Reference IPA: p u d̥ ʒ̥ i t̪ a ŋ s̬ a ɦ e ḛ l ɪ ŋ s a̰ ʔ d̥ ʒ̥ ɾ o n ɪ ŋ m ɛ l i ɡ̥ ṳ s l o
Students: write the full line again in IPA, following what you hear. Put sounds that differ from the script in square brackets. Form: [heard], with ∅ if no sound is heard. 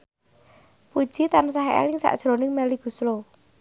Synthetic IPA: p u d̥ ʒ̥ i t̪ a [n] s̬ a ɦ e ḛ l ɪ ŋ s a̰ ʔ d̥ ʒ̥ ɾ o n ɪ ŋ m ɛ l i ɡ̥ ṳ s l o